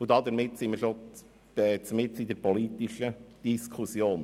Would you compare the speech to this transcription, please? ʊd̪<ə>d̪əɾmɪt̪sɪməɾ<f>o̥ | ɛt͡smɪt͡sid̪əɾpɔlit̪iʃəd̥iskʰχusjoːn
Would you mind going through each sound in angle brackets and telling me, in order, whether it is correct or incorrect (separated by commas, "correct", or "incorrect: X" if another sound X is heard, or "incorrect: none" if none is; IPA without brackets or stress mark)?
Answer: incorrect: ɑ, incorrect: ʃ